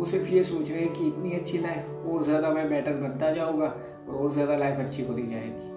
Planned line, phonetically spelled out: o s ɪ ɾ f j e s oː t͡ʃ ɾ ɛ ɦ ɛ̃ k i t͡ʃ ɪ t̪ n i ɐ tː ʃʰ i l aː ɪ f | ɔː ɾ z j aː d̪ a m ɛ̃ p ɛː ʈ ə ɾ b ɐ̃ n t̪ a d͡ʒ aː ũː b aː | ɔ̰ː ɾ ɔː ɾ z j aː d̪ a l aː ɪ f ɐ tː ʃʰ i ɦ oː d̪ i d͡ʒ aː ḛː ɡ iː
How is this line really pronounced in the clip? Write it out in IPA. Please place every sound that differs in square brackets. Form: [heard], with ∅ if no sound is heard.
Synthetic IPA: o s ɪ ɾ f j e s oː t͡ʃ ɾ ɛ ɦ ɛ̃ k i [∅] ɪ t̪ n i ɐ tː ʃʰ i l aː ɪ f | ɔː ɾ z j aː d̪ a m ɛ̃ [b] ɛː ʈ ə ɾ b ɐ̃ n t̪ a d͡ʒ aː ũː [ɡ] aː | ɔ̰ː ɾ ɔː ɾ z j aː d̪ a l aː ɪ f ɐ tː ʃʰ i ɦ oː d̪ i d͡ʒ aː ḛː ɡ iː